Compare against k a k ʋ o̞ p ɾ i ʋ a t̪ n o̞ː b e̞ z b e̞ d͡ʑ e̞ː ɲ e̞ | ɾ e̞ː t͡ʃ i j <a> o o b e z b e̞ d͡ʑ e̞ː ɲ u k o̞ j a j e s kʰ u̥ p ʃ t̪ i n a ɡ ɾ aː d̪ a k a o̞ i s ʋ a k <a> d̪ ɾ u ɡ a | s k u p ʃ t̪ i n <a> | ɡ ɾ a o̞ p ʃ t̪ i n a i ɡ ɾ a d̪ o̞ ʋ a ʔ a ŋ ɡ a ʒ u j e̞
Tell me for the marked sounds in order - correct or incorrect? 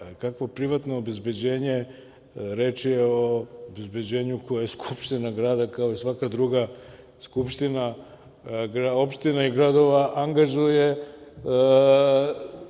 incorrect: e, correct, correct

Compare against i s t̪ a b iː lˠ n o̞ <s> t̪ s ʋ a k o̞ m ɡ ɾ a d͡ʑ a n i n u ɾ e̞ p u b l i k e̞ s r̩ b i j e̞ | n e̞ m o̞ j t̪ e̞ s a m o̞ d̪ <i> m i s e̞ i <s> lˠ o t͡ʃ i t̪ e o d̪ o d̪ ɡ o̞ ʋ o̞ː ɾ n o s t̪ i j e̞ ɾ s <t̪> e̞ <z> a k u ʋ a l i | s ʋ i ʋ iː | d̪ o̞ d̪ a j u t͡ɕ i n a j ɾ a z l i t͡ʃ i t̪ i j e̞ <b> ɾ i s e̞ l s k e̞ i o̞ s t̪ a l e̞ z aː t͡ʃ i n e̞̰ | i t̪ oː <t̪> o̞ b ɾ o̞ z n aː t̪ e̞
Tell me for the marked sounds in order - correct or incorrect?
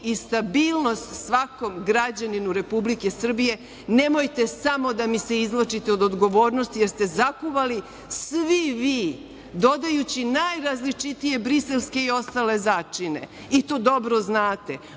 correct, incorrect: a, incorrect: z, correct, correct, correct, incorrect: d̪

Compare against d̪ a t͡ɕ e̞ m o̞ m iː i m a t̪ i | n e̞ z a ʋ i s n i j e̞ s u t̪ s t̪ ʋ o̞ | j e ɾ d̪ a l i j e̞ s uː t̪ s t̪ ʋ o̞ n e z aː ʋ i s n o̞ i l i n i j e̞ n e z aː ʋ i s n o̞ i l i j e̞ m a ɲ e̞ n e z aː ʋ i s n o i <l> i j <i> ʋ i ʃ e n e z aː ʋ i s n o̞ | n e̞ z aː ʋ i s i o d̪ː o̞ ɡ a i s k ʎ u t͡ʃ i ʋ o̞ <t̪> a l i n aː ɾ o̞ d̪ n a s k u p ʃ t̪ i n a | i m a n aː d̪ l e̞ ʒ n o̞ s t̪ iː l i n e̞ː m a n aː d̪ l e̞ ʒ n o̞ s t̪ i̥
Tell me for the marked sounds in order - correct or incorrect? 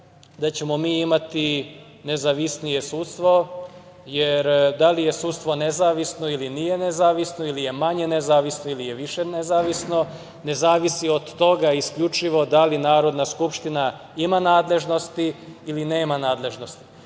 correct, incorrect: e, incorrect: d̪

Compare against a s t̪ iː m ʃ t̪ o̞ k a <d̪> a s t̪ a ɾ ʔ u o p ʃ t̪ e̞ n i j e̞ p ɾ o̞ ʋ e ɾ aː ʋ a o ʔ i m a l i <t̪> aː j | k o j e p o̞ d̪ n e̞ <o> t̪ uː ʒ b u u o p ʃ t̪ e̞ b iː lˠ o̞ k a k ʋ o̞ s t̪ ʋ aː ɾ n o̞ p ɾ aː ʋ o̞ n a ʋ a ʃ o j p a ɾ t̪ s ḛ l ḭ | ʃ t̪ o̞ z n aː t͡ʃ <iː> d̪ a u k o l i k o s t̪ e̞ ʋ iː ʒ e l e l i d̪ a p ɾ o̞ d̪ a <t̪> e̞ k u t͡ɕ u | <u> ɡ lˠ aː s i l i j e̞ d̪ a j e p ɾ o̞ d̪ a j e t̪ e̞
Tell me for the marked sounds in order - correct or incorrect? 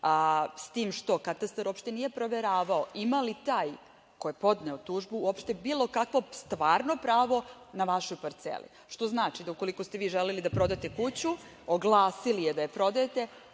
incorrect: t̪, correct, correct, incorrect: i, correct, incorrect: o

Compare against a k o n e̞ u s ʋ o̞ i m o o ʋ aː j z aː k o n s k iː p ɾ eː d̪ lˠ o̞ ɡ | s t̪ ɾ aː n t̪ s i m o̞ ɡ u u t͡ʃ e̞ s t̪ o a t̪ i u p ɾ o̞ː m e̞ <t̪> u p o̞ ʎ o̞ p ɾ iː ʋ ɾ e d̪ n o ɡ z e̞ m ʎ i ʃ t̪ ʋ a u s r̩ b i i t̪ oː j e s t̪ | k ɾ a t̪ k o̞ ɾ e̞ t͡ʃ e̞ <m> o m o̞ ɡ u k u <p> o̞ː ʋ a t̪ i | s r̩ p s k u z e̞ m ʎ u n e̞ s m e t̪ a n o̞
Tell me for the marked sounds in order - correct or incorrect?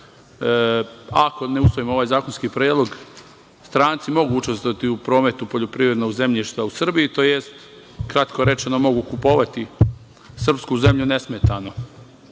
correct, incorrect: n, correct

